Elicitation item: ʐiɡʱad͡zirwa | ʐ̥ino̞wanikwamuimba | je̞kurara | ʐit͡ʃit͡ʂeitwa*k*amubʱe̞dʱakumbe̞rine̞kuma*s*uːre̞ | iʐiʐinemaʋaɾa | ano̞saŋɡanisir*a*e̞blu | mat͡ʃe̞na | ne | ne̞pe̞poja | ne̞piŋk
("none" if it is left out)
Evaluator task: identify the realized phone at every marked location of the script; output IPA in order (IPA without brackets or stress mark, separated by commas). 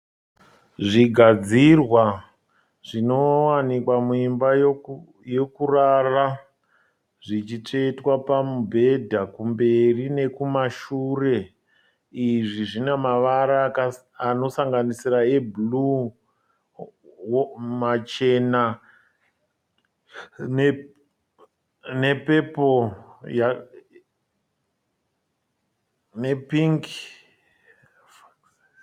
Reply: p, ʃ, a